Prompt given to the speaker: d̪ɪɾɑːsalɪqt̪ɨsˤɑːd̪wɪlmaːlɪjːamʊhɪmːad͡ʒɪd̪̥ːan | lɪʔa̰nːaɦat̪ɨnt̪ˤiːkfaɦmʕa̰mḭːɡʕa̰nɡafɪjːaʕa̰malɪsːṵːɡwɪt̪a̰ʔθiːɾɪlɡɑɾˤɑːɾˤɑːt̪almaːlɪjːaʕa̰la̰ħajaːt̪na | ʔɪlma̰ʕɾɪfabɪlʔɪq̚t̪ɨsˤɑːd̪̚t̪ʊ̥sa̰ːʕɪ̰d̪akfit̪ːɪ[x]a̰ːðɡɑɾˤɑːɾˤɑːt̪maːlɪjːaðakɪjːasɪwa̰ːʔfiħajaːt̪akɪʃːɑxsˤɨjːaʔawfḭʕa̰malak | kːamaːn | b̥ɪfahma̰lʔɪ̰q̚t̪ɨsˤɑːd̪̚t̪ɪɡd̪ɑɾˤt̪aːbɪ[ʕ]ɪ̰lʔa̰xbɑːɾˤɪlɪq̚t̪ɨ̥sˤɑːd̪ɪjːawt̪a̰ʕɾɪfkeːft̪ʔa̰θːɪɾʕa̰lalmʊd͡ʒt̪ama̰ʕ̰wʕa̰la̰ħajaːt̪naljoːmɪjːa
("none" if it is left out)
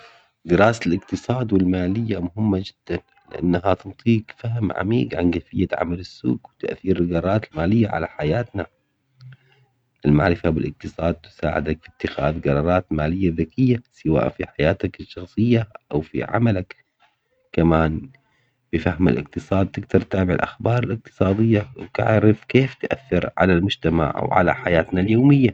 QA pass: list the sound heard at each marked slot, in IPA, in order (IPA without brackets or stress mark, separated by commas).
x, ʕ